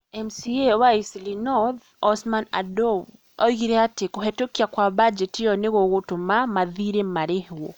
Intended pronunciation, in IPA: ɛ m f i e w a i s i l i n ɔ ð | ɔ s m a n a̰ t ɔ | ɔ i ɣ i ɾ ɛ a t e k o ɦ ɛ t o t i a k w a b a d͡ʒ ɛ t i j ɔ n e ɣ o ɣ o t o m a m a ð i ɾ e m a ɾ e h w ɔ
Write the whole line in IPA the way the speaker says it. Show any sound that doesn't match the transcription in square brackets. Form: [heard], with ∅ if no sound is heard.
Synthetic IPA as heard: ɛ m [s] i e w a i s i l i n ɔ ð | ɔ s m a n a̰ [d] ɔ | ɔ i ɣ i ɾ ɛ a t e k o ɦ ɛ t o [k] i a k w a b a d͡ʒ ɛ t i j ɔ n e ɣ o ɣ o t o m a m a ð i ɾ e m a ɾ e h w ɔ